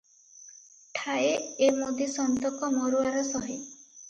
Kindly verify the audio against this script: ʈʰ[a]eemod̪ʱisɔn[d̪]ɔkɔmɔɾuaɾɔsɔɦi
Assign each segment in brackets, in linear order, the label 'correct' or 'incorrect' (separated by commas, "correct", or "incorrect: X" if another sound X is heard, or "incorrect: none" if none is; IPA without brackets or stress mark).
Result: correct, incorrect: t̪